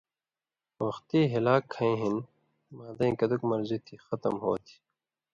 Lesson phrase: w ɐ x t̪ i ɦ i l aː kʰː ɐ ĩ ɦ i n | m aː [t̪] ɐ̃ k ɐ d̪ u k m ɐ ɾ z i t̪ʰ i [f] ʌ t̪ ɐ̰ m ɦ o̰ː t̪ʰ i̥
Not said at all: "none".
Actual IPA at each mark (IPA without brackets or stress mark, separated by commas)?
d̪, x